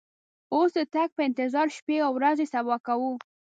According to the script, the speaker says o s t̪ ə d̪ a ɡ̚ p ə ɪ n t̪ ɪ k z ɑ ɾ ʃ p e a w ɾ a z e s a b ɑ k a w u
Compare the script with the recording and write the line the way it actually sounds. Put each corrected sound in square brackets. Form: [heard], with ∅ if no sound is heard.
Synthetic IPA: o s [d̪] ə [t̪] a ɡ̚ p ə ɪ n t̪ ɪ [∅] z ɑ ɾ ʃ p e a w ɾ a z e s a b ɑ k a w u